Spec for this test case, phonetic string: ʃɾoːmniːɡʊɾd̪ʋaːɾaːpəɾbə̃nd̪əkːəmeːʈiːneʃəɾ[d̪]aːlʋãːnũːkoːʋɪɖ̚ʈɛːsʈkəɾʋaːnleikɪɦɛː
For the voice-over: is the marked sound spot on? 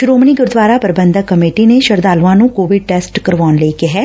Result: yes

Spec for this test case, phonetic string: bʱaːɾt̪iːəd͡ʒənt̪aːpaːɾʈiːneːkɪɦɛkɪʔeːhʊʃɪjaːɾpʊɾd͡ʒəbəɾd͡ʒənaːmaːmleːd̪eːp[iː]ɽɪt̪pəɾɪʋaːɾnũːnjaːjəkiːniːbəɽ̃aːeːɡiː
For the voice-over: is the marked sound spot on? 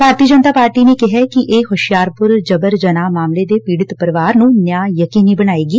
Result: yes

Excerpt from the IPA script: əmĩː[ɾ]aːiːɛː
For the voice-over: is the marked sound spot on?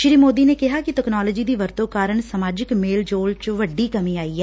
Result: no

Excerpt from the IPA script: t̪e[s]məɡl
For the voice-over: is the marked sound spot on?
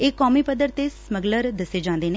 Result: yes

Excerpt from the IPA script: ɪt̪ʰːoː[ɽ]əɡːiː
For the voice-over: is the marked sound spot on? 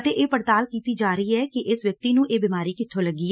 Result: no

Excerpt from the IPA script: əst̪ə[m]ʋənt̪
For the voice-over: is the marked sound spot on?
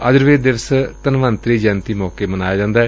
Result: no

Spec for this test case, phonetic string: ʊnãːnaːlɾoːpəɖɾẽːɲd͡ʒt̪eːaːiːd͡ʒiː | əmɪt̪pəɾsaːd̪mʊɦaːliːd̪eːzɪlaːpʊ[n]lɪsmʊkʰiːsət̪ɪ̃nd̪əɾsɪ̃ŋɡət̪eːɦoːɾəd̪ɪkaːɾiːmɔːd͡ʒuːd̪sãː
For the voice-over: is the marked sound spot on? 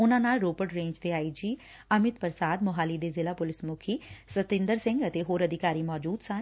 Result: no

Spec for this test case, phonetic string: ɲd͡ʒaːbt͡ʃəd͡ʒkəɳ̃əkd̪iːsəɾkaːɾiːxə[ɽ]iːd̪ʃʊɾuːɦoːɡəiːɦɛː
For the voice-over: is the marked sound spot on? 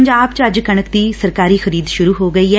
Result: no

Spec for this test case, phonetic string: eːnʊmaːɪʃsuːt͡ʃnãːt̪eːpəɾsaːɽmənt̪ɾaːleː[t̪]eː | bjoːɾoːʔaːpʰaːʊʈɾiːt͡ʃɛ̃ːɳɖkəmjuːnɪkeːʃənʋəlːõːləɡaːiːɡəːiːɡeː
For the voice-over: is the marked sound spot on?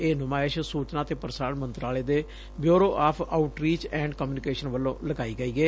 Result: no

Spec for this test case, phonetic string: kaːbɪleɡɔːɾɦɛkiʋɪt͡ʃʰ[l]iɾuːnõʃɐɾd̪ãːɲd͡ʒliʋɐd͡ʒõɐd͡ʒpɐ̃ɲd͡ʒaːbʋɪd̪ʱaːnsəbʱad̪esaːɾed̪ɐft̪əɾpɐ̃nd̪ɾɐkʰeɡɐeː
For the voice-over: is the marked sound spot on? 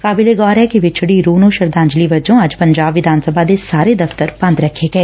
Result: no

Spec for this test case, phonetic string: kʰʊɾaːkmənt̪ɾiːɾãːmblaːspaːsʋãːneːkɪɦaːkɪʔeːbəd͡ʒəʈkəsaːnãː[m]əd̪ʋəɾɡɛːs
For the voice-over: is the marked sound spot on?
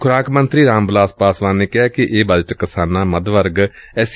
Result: yes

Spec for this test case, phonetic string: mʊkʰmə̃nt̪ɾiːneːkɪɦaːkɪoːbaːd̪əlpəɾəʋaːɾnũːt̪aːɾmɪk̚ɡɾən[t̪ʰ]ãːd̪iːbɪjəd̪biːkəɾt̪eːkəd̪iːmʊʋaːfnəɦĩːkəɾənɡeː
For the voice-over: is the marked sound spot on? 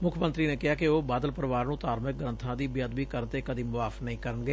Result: yes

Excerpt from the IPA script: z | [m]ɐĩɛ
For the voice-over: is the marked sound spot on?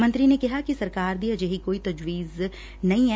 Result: no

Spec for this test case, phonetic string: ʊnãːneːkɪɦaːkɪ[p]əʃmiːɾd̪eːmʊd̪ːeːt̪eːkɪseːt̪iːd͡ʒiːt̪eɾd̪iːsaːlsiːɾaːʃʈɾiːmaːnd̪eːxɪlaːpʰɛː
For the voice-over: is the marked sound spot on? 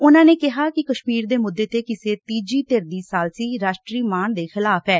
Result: no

